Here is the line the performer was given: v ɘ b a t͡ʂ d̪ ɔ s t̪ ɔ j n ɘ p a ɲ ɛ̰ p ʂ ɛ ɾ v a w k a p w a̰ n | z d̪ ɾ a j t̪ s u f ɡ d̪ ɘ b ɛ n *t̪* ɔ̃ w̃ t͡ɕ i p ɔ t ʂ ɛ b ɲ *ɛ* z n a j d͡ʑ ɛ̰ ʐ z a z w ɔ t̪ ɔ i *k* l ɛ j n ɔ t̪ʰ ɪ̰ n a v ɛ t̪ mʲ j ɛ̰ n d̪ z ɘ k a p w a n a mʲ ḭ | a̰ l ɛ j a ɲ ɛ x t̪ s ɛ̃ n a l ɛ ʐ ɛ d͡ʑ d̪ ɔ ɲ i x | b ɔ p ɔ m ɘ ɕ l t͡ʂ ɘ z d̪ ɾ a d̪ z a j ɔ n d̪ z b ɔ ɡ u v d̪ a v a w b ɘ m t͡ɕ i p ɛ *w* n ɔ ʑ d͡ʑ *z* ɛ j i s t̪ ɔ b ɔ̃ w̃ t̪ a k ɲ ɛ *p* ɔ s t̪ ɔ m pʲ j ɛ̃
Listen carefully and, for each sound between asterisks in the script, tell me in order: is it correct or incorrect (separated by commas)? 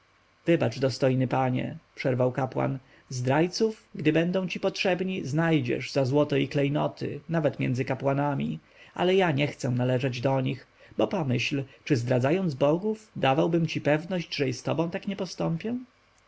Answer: incorrect, incorrect, correct, incorrect, incorrect, correct